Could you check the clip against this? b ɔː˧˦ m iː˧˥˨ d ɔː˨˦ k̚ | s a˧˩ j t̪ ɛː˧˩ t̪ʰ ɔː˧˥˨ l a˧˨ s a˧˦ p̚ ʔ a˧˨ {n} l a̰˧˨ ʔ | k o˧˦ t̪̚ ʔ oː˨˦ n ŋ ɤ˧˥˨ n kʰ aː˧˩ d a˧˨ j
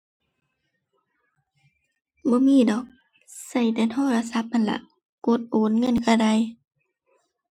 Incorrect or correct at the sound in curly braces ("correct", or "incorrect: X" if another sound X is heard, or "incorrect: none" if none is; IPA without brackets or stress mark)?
correct